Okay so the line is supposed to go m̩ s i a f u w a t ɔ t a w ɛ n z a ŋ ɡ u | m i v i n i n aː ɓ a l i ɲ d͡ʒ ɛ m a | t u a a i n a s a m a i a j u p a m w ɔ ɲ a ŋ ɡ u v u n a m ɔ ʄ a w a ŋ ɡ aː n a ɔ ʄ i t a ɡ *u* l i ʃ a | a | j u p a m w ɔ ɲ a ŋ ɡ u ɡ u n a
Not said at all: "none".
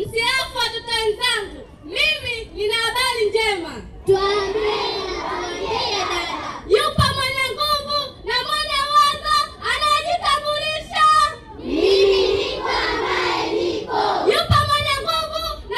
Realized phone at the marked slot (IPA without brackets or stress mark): u